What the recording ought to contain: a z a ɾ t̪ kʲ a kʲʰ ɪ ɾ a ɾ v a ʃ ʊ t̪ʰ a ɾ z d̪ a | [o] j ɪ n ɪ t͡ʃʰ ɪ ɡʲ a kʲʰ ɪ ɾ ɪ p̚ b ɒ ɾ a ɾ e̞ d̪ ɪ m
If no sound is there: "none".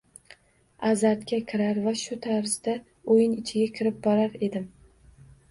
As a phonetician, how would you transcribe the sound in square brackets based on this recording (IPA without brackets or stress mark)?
o